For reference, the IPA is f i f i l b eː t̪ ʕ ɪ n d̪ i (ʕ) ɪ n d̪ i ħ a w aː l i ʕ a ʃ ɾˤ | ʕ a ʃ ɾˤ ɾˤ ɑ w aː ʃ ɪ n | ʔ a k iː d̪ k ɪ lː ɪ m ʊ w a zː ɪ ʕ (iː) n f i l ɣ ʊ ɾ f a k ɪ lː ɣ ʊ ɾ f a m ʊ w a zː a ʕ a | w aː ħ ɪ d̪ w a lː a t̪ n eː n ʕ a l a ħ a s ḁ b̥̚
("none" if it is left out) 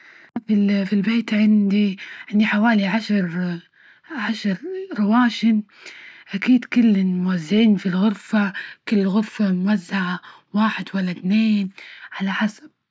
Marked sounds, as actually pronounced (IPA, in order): ʕ, iː

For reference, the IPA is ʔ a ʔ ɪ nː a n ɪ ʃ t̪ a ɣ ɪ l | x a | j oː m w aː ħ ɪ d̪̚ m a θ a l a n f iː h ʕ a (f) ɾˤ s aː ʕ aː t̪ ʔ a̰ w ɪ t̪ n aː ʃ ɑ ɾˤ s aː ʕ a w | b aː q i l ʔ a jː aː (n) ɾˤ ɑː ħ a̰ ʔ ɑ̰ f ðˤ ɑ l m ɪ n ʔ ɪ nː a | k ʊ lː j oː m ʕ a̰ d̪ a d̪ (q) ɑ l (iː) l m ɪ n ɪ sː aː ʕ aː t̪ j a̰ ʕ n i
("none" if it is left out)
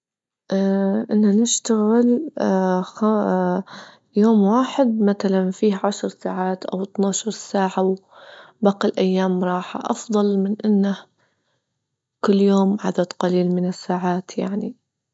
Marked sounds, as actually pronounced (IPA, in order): ʃ, m, q, iː

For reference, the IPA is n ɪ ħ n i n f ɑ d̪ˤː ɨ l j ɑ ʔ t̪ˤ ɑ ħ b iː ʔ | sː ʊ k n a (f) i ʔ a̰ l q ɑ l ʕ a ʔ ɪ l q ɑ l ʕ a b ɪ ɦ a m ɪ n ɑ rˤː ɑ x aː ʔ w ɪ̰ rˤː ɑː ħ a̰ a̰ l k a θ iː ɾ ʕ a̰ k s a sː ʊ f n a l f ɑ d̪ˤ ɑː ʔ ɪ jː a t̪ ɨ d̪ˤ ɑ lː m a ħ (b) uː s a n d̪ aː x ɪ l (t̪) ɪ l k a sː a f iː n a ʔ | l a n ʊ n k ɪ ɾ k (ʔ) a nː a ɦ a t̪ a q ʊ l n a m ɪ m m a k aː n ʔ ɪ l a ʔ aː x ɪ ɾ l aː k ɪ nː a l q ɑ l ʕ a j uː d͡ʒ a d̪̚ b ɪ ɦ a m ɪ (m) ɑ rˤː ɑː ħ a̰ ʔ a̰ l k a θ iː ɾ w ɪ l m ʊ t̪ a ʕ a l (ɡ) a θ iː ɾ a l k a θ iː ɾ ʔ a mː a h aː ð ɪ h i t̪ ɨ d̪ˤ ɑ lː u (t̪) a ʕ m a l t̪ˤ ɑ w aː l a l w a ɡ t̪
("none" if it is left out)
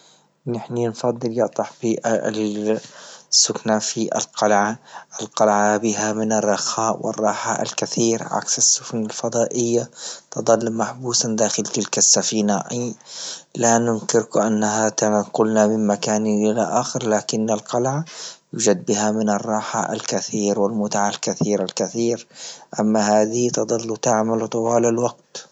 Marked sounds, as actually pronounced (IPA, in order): f, b, t̪, ʔ, n, k, t̪

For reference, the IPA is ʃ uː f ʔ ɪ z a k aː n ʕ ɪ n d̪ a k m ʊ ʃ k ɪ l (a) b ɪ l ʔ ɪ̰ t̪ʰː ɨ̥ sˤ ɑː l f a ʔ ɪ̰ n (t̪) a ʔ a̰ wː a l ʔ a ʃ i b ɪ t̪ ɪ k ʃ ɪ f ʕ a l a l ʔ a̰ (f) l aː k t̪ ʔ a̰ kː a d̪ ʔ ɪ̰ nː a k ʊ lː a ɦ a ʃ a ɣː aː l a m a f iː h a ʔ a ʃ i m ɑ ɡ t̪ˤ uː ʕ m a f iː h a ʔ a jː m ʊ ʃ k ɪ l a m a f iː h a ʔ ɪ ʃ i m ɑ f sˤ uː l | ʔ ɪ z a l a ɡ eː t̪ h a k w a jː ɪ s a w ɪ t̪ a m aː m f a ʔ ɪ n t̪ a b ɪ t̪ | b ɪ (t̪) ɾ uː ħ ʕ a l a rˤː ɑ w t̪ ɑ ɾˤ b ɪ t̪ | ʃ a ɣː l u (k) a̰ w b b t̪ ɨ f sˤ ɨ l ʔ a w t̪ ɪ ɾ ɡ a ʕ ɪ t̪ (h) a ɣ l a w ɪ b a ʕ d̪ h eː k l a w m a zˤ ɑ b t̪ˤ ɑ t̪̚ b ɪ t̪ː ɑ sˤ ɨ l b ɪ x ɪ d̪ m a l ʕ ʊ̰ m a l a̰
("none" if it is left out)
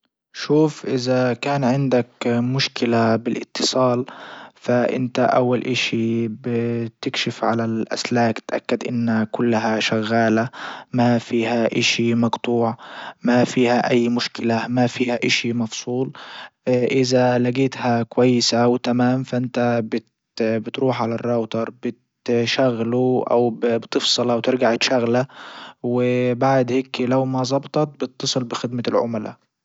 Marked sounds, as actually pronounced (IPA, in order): a, t̪, s, t̪, ʔ, ʃ

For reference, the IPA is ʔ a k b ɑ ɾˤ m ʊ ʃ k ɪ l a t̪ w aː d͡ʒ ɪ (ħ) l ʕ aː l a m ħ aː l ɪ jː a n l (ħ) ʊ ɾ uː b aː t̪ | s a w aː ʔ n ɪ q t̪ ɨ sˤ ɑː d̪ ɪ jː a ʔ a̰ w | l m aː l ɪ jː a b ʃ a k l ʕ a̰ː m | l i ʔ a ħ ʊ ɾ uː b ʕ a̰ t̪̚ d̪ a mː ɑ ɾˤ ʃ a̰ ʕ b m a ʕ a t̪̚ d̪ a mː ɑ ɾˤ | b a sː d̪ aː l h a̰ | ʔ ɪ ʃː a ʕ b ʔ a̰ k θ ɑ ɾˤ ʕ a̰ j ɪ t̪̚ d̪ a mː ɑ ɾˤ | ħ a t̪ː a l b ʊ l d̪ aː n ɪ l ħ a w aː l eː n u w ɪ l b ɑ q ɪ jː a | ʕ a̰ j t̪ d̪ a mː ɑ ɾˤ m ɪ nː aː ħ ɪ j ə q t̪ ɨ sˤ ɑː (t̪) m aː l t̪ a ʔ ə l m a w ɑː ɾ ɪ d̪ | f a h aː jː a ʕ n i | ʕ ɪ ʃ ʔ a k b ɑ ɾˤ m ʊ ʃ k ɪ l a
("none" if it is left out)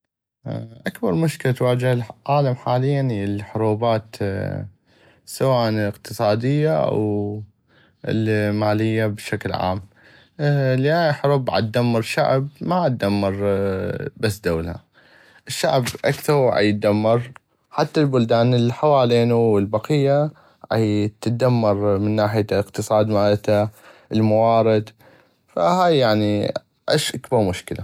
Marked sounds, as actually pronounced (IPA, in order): h, ħ, d̪

